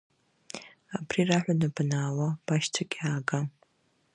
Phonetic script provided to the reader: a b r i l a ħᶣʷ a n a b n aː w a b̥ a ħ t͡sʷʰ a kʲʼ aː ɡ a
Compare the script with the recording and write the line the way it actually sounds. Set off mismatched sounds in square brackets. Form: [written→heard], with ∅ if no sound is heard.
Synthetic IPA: a b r i [l→r] a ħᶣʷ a n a b n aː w a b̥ a [ħ→ʃ] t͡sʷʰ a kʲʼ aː ɡ a